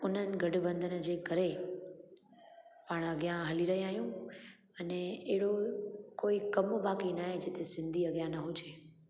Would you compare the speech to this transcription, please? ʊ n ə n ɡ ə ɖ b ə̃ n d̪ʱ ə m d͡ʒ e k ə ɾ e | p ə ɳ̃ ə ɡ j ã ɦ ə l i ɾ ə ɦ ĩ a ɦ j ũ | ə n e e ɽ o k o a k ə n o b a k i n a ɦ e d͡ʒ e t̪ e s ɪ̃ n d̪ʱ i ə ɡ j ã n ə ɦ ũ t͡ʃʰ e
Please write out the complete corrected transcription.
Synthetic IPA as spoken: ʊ n ə n ɡ ə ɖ b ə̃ n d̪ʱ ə n d͡ʒ e k ə ɾ e | p ə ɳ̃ ə ɡ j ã ɦ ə l i ɾ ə ɦ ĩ a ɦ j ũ | ə n e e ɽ o k o i k ə m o b a k i n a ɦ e d͡ʒ e t̪ e s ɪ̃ n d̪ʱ i ə ɡ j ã n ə ɦ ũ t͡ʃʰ e